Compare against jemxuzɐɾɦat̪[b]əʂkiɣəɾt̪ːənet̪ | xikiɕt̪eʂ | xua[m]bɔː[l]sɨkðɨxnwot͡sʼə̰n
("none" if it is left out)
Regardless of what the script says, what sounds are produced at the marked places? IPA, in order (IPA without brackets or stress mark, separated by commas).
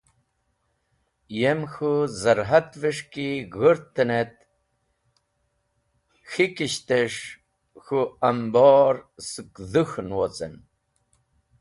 v, m, ɾ